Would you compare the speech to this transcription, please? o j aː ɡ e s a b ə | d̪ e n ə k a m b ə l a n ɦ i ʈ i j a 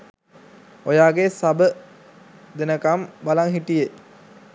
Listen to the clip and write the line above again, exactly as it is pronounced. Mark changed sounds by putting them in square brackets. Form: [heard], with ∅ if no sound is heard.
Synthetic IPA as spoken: o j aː ɡ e s a b ə | d̪ e n ə k a m b [a] l a [ŋ] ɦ i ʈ i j [e]